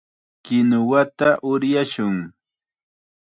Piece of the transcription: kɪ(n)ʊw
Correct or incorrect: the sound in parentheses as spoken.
correct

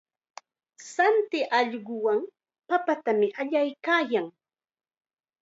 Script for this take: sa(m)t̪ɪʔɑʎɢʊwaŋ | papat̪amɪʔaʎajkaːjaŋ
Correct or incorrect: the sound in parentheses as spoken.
incorrect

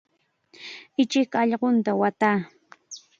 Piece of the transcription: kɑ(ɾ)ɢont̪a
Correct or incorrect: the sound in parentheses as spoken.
incorrect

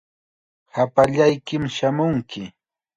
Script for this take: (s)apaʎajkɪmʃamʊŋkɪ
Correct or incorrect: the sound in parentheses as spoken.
incorrect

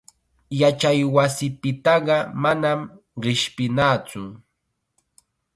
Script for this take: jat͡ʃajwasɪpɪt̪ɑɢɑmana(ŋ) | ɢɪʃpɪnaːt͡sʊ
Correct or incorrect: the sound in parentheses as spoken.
incorrect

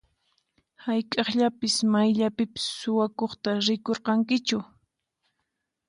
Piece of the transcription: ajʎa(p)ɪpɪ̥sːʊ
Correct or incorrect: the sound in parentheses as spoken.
correct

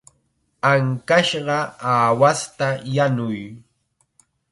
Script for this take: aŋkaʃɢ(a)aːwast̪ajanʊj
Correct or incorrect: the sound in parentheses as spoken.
incorrect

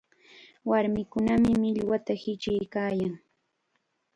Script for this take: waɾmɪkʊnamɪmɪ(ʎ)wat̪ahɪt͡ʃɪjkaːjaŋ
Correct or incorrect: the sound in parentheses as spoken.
correct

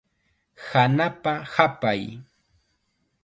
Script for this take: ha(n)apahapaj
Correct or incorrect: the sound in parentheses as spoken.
correct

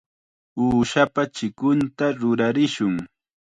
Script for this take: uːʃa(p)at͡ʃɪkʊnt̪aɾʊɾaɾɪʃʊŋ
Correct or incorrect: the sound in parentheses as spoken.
correct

